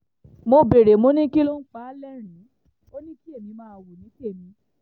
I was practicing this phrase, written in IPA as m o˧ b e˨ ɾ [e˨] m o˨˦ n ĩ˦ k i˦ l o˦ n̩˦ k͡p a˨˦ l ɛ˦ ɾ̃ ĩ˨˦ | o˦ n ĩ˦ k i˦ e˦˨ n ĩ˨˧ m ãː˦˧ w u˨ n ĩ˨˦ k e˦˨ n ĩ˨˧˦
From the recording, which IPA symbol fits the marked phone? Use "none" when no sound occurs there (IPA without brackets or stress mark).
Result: e˨